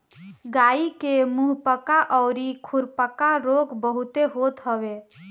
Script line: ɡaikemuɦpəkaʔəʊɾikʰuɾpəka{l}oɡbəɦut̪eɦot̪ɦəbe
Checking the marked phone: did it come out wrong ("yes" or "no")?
yes